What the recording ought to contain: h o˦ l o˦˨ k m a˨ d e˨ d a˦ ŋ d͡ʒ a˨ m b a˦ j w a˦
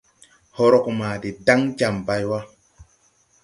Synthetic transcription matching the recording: h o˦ ɾ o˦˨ k m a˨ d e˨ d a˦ ŋ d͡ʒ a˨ m b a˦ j w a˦

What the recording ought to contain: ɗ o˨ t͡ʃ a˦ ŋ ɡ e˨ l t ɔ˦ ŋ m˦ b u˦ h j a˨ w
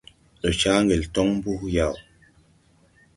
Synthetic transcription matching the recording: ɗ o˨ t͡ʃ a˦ ŋ ɡ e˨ l t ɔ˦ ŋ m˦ b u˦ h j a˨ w

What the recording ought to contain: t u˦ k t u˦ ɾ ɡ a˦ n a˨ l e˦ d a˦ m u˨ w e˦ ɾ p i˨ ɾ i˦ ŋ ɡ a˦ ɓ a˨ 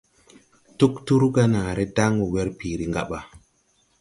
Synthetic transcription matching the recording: t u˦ k t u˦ ɾ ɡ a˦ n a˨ ɾ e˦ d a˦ ŋ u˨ w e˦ ɾ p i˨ ɾ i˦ ŋ ɡ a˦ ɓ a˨

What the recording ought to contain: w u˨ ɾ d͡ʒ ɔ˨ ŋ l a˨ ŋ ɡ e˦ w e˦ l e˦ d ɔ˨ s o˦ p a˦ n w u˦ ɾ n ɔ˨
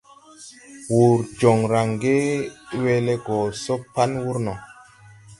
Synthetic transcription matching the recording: w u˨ ɾ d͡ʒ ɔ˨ ŋ ɾ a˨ ŋ ɡ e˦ w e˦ l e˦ ɡ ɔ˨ s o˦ p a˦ n w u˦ ɾ n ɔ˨

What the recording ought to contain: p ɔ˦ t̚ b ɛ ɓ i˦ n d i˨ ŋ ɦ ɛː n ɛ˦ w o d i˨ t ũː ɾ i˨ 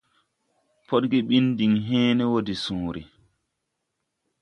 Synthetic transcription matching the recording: p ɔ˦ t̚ ɡ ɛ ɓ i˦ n d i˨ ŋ ɦ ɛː n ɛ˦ w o d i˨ s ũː ɾ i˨

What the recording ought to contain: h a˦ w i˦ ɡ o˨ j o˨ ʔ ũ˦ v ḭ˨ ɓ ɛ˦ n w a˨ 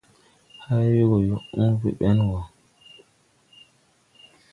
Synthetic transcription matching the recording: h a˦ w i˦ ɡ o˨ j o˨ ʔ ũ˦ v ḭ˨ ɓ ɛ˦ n w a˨

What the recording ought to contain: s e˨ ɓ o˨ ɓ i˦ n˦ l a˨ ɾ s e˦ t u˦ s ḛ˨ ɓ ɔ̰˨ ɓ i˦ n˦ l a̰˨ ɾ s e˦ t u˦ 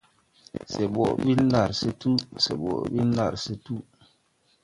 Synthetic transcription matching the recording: s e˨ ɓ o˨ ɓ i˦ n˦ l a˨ ɾ s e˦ t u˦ s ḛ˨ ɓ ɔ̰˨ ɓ i˦ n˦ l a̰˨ ɾ s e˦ t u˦

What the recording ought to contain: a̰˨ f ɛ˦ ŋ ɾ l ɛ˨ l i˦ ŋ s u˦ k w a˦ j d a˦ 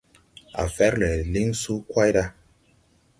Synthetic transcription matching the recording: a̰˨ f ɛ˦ ɾ l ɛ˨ l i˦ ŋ s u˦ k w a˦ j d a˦

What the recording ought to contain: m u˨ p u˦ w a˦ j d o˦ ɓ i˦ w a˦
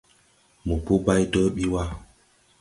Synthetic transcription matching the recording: m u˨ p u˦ b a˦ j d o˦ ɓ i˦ w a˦

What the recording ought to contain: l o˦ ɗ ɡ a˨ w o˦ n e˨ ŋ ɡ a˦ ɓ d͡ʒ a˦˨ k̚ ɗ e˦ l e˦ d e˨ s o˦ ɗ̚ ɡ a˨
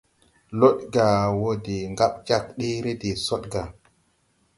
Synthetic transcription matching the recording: l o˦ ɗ ɡ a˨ w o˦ d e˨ ŋ ɡ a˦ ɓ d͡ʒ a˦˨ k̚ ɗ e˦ ɾ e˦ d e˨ s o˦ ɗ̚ ɡ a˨

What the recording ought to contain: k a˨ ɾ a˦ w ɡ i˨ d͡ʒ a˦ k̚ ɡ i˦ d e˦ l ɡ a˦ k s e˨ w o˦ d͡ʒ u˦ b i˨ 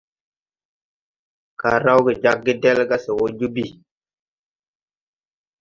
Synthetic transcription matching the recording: k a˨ ɾ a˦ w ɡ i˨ d͡ʒ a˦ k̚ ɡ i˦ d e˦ l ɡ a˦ s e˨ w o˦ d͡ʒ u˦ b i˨

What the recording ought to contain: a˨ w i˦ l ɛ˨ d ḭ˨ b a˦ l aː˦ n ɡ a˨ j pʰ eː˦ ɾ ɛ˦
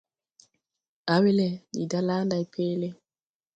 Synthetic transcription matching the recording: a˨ w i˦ l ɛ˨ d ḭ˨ d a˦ l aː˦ n d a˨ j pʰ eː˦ l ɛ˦

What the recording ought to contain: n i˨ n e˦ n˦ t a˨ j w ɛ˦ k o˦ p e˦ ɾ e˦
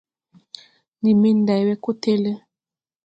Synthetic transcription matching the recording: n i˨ m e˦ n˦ d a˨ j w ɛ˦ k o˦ t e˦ l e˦

